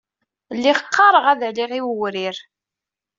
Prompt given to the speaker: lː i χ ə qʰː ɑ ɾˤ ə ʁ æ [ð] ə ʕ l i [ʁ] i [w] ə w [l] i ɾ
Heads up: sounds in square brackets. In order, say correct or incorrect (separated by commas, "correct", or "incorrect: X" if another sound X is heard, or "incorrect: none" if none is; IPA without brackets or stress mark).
correct, correct, correct, incorrect: ɾ